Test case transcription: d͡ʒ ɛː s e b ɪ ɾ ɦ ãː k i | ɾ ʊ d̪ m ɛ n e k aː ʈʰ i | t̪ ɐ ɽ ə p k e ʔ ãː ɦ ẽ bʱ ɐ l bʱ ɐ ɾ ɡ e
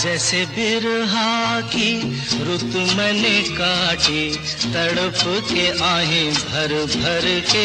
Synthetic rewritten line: d͡ʒ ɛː s e b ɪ ɾ ɦ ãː k i | ɾ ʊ t̪ m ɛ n e k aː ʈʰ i | t̪ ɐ ɽ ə p k e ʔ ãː ɦ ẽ bʱ ɐ ɾ bʱ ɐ ɾ k e